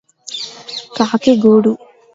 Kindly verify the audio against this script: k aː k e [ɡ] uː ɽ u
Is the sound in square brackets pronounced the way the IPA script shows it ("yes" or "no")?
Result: yes